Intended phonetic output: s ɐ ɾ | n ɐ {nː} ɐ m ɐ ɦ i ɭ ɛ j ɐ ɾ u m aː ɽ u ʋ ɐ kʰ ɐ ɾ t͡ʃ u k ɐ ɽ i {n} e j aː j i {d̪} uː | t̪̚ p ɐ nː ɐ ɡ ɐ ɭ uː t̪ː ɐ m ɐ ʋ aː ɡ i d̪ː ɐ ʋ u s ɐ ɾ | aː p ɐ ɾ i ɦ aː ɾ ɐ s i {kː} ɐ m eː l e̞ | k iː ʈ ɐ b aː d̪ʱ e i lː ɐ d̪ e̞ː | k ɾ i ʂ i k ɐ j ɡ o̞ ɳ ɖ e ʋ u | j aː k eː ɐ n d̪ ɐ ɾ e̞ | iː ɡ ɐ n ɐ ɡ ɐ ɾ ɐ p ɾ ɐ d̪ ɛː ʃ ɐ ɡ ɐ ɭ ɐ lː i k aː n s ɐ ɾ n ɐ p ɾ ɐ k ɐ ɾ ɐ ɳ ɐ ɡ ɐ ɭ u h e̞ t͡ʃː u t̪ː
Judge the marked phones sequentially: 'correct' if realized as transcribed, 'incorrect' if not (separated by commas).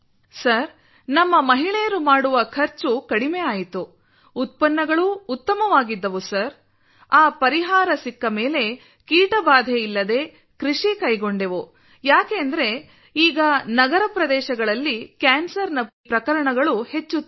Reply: incorrect, incorrect, incorrect, correct